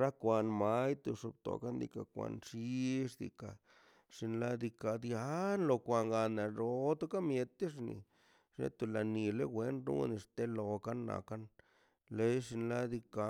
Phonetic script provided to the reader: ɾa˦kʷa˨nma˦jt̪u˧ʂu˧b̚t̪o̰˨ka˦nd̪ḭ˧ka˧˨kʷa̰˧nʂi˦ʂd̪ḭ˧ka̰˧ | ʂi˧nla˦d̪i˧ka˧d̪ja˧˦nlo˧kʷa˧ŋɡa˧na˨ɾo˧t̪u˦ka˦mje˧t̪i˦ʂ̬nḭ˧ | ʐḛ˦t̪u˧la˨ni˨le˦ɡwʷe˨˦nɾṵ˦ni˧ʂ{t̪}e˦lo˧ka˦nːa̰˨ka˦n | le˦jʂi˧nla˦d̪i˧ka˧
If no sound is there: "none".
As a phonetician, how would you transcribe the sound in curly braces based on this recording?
t̪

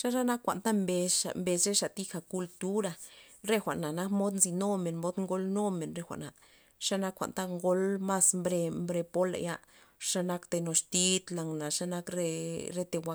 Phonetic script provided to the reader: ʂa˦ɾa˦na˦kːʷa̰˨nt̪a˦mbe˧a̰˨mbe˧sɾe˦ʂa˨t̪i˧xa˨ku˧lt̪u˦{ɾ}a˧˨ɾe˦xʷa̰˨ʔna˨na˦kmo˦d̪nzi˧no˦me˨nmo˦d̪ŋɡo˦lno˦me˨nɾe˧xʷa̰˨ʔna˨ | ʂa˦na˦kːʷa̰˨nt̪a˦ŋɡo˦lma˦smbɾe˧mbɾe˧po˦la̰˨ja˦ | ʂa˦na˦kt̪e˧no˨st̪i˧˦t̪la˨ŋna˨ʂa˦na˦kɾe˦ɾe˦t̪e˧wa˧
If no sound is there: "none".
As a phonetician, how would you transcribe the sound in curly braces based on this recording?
ɾ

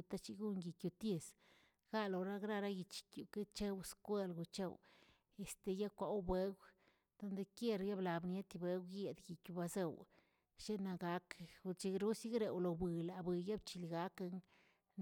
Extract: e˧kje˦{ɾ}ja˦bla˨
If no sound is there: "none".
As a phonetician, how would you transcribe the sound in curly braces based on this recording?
ɾ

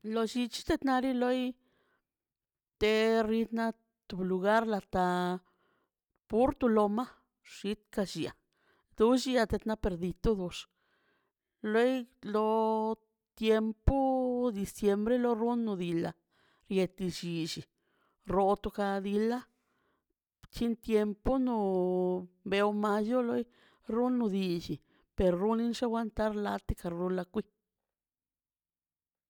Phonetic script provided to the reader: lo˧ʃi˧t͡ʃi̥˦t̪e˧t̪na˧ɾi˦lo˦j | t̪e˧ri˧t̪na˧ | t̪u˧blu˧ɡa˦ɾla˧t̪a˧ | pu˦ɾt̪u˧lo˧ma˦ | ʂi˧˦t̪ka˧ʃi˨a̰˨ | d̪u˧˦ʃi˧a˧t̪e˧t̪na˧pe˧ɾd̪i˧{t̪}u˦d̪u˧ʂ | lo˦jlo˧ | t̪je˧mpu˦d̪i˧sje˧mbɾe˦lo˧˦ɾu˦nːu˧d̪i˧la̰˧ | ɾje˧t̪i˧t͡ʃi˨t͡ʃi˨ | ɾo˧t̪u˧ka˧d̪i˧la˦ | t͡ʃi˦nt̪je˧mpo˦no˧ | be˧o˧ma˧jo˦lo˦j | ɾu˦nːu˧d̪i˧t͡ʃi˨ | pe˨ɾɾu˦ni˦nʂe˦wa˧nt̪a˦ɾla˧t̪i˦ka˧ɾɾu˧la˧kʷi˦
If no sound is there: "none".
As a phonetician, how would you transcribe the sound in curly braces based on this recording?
t̪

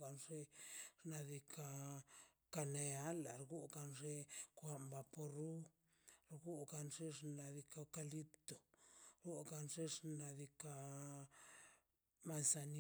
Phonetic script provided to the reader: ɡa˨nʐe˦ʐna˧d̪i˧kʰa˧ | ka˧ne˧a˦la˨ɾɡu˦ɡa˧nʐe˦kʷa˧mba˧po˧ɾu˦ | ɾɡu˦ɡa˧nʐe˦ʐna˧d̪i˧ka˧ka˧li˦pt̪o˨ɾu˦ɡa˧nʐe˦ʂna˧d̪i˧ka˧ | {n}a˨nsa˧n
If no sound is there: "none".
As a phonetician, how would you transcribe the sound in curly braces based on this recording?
m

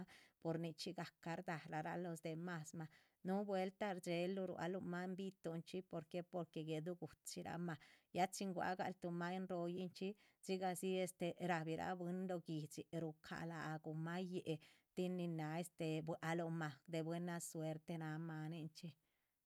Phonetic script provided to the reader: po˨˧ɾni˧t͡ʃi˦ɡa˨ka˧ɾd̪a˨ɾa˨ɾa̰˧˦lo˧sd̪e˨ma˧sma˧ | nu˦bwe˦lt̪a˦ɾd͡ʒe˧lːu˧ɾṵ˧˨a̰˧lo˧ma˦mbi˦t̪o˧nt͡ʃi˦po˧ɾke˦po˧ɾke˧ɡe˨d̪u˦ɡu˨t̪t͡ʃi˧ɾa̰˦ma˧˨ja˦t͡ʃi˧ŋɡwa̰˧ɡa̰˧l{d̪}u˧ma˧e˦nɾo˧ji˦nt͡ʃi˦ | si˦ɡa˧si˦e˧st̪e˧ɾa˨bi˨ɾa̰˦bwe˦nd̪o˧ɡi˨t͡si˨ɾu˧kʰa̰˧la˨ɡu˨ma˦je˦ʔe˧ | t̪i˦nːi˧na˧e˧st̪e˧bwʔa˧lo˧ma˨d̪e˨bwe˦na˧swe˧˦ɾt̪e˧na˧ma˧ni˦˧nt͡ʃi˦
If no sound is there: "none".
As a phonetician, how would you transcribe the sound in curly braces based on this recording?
t̪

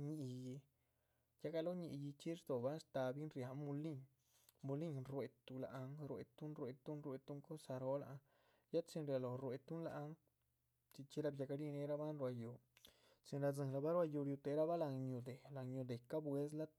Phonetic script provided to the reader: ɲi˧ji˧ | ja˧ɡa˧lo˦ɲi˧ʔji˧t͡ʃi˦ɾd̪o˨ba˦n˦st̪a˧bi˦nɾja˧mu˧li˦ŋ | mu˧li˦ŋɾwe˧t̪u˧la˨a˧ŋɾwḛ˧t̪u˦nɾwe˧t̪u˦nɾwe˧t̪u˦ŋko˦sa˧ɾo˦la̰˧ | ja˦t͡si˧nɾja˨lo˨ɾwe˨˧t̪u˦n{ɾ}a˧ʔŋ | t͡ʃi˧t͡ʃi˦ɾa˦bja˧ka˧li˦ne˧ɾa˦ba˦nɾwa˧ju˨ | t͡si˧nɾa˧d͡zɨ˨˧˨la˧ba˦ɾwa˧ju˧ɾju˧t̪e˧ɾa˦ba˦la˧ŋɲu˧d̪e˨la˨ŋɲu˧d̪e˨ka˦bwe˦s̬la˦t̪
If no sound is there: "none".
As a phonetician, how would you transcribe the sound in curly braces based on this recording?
l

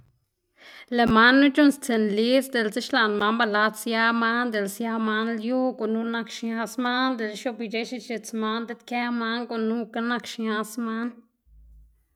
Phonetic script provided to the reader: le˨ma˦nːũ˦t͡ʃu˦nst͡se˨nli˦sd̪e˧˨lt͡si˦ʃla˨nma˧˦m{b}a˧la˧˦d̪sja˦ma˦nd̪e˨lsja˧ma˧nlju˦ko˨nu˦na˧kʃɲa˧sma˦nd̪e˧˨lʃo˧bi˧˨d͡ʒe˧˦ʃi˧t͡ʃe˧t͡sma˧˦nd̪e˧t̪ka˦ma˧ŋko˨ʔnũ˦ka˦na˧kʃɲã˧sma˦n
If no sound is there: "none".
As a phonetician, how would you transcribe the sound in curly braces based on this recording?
b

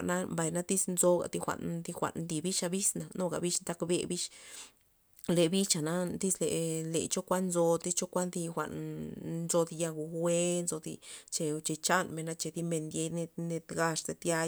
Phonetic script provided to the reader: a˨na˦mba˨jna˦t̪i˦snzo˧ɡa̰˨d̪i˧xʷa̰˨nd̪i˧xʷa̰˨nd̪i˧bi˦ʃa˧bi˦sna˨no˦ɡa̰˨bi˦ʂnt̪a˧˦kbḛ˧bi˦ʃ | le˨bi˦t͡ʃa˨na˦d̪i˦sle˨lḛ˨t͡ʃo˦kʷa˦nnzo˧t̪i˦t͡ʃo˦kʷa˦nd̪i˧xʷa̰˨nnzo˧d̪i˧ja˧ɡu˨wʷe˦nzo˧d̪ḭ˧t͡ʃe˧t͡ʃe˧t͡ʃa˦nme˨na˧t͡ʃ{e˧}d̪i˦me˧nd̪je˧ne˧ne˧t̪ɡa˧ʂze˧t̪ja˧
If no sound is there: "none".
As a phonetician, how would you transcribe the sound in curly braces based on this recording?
e˧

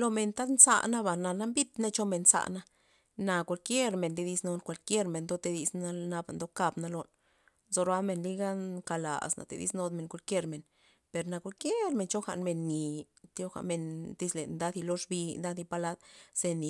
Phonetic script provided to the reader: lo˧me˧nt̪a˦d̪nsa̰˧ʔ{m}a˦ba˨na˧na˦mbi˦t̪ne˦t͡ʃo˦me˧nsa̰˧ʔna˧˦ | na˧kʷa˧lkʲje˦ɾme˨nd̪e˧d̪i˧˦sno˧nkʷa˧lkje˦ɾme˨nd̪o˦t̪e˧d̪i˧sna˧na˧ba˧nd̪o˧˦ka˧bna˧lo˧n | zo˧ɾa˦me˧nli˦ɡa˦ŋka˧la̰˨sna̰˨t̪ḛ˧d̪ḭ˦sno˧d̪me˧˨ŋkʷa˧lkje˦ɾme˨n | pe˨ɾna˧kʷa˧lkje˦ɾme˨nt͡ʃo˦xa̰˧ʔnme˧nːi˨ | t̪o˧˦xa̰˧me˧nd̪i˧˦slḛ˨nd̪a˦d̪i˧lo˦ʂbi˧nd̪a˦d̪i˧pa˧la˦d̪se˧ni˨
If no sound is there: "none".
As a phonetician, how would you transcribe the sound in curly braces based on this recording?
n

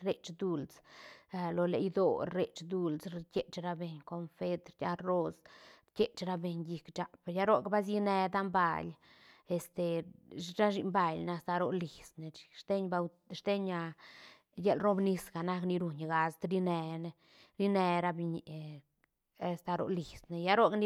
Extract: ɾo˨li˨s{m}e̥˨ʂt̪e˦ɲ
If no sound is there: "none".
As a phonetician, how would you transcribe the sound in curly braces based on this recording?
n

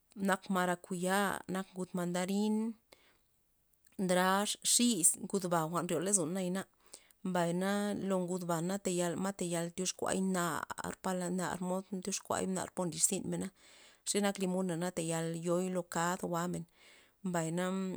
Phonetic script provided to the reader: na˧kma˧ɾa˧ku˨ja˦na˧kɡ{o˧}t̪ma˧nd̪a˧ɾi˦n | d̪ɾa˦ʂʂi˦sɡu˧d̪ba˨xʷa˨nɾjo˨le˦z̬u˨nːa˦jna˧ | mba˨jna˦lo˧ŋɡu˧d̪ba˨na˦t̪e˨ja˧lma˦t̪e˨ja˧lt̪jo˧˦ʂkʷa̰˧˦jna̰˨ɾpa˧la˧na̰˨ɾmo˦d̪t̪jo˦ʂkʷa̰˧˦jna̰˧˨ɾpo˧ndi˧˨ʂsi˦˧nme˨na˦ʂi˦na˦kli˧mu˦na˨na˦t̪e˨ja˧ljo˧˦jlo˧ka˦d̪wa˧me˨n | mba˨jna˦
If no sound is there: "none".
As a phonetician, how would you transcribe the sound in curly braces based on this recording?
u˧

